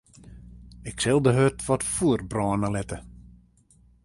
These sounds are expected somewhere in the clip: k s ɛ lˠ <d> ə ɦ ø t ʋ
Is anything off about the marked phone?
no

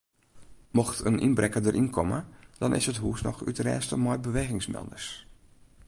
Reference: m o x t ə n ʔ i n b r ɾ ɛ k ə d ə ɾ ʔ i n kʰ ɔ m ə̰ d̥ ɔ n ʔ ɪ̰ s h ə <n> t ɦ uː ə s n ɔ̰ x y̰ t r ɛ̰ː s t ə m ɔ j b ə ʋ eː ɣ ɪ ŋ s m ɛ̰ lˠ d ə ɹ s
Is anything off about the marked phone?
yes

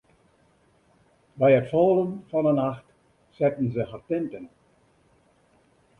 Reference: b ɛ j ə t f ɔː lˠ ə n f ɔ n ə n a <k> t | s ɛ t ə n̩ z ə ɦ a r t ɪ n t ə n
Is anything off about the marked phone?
yes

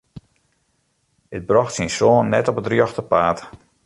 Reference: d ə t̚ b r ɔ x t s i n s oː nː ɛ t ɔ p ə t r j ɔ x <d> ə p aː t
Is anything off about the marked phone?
yes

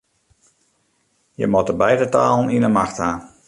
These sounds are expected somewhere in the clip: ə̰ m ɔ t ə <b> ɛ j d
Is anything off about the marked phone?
no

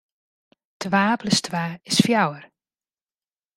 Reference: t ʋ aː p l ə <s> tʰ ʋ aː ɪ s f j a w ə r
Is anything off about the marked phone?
no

